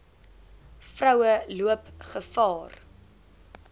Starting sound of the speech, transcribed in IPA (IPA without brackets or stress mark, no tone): f